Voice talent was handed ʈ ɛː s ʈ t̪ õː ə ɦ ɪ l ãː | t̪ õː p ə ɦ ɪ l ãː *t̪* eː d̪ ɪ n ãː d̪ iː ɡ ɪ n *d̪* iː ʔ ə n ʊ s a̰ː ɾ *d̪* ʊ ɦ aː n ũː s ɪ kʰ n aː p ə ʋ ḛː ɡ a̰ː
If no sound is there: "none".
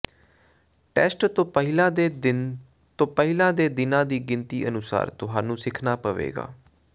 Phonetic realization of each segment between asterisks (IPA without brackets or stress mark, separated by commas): d̪, t̪, t̪